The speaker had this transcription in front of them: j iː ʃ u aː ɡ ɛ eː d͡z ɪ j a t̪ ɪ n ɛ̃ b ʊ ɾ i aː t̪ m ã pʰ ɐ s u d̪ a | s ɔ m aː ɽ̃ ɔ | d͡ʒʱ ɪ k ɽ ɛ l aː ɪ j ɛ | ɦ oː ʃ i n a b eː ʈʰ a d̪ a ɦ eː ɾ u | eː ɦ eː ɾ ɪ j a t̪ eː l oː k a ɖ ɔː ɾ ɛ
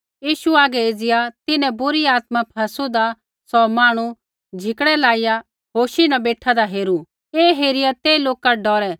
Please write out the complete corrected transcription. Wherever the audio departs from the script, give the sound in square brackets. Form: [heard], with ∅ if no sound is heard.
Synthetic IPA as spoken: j iː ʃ u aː ɡ ɛ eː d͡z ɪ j a t̪ ɪ n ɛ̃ b ʊ ɾ i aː t̪ m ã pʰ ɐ s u d̪ a | s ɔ m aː ɽ̃ [u] | d͡ʒʱ ɪ k ɽ ɛ l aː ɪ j [a] | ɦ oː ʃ i n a b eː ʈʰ a d̪ a ɦ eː ɾ u | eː ɦ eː ɾ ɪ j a t̪ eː l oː k a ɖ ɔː ɾ ɛ